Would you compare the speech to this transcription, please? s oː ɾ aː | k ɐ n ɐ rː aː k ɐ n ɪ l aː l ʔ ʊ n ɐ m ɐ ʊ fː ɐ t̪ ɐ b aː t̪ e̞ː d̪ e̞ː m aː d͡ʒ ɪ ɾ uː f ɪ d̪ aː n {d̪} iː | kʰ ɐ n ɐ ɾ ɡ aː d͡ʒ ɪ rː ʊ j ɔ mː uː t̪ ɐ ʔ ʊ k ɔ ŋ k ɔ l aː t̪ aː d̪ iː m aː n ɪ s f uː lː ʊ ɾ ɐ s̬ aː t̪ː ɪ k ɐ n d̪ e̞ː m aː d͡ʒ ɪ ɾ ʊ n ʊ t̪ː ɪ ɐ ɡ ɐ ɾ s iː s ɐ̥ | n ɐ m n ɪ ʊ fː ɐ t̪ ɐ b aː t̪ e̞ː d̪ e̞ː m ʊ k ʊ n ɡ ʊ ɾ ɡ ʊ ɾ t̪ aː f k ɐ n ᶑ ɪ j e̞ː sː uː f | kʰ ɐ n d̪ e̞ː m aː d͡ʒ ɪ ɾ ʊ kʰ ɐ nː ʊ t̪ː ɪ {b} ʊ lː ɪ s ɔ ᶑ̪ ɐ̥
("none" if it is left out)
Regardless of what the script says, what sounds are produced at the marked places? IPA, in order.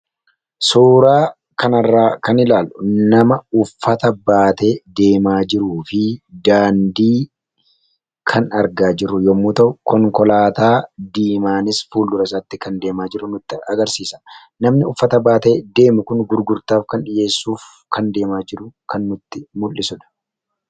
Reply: d̪, m

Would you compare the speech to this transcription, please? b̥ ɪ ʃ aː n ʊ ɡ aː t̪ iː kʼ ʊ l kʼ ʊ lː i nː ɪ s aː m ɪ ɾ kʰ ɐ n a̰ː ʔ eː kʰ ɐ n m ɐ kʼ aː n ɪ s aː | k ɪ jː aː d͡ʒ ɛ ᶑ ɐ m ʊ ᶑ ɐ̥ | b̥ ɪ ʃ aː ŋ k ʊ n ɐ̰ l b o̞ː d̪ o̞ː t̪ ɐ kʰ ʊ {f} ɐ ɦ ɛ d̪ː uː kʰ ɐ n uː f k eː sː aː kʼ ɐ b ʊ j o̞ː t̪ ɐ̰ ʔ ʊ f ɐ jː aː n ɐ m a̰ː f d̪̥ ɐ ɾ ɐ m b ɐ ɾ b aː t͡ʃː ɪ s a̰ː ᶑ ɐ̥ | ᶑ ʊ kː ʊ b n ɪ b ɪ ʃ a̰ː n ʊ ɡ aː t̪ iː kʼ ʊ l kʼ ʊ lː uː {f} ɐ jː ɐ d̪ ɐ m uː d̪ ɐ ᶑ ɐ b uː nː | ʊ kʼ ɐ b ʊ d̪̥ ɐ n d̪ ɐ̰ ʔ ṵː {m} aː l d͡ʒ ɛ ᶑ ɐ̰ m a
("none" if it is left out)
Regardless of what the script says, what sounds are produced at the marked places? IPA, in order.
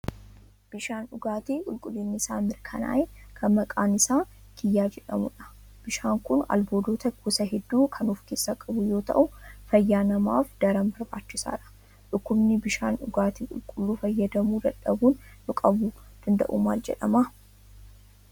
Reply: s, f, m

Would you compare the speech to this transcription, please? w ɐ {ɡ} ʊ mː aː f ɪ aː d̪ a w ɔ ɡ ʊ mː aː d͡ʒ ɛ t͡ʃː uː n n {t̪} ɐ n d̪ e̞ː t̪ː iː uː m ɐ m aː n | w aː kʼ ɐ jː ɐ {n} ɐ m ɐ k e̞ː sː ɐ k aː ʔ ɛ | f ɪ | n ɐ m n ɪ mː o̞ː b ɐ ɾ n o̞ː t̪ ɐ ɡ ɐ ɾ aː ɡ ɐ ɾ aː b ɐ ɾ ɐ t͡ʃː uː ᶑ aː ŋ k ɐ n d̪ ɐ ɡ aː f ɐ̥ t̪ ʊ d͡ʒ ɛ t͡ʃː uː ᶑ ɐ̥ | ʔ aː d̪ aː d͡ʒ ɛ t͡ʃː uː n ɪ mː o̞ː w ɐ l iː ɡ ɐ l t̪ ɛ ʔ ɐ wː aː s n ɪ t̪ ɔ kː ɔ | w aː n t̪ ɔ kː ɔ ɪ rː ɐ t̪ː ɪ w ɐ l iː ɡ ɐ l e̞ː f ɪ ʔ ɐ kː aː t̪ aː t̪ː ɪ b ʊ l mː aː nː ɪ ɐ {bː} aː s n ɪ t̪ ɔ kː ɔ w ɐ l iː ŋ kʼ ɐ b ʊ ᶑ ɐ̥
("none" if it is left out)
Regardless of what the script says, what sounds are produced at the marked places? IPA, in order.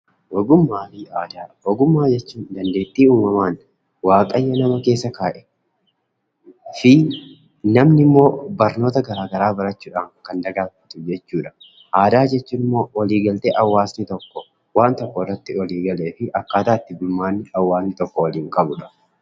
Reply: ɡ, d̪, n, wː

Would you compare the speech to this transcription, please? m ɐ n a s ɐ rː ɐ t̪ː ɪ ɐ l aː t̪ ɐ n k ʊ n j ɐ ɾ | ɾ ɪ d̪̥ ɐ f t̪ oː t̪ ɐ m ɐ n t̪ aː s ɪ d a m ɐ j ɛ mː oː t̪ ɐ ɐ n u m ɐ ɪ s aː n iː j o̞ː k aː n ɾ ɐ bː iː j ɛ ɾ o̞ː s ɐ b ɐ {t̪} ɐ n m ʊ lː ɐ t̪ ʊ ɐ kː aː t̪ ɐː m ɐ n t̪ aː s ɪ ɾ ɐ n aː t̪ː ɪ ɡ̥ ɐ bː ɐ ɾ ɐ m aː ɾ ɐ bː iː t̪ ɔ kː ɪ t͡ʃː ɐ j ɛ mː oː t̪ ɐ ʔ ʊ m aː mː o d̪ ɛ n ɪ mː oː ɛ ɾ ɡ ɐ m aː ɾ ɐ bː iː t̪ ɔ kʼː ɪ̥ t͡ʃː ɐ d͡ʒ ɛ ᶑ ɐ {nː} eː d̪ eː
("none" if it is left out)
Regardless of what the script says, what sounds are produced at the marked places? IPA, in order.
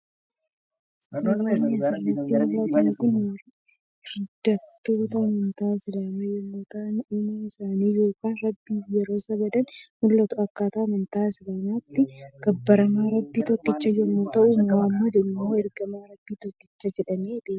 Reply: d̪, n

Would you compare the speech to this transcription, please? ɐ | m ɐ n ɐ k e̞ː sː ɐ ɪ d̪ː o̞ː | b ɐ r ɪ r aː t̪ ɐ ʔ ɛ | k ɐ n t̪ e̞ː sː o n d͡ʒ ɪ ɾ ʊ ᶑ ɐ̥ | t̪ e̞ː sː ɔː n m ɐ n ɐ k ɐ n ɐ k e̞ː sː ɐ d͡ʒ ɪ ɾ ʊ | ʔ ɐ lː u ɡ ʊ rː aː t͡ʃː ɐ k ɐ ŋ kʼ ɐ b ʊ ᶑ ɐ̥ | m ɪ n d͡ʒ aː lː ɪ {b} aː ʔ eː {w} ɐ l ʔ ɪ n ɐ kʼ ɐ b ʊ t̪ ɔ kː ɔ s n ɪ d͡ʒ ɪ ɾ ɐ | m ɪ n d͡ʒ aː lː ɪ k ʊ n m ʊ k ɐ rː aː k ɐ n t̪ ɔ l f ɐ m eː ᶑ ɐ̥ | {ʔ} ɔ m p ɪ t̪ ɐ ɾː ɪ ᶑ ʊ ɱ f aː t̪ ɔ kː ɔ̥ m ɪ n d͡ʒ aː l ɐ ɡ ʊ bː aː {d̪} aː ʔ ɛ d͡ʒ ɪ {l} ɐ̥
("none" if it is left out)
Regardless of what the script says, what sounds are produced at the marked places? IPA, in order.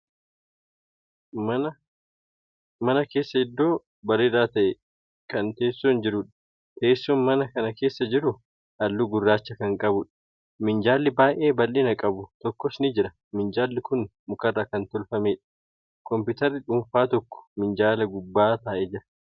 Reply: b, b, k, t̪, ɾ

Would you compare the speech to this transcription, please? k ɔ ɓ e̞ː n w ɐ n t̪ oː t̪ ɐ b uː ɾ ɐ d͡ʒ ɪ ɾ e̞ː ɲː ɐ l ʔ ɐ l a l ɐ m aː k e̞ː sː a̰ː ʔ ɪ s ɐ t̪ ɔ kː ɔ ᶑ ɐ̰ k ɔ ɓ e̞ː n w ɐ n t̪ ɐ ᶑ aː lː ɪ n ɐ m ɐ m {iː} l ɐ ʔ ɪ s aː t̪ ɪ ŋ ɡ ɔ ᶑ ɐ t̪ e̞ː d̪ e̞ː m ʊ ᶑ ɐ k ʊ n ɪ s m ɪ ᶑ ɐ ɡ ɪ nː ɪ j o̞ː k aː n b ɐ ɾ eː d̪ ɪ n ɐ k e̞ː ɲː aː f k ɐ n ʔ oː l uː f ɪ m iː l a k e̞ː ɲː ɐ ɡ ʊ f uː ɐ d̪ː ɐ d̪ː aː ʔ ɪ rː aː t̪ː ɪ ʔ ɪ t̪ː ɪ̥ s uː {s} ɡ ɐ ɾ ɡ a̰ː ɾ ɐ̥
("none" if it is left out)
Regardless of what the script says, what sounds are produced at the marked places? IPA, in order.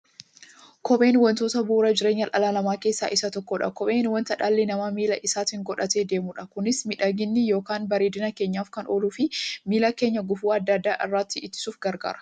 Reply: iː, f

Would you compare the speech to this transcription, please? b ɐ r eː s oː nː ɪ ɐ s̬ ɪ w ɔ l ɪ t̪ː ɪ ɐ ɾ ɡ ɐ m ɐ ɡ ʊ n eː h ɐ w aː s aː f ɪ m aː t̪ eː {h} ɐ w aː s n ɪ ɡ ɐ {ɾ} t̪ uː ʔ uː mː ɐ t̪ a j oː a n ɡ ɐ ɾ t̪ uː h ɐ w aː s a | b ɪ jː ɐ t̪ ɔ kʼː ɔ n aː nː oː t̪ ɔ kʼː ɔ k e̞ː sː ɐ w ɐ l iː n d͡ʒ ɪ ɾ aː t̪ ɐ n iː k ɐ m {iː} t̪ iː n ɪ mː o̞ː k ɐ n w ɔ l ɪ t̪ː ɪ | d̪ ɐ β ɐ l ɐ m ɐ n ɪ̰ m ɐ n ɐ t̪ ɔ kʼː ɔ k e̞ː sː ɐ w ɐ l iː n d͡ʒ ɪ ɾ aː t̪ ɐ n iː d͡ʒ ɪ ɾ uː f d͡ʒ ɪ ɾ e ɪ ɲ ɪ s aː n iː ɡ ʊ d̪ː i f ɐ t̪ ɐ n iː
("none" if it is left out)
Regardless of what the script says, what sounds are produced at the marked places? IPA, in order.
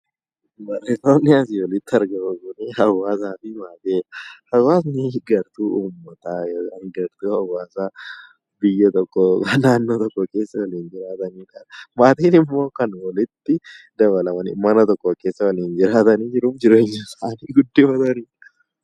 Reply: h, ɾ, aː

